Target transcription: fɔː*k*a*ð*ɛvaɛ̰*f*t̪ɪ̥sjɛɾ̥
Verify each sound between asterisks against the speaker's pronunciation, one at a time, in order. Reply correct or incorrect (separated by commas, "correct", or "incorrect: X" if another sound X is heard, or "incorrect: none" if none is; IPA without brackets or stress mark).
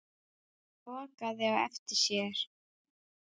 correct, correct, correct